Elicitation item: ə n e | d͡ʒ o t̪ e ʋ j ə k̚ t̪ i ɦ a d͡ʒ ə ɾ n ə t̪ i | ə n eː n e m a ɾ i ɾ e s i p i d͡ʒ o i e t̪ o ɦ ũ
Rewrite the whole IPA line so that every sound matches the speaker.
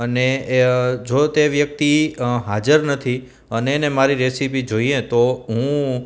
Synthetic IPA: ə n e | d͡ʒ o t̪ e ʋ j ə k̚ t̪ i ɦ a d͡ʒ ə ɾ n ə t̪ʰ i | ə n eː n e m a ɾ i ɾ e s i p i d͡ʒ o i e t̪ o ɦ ũ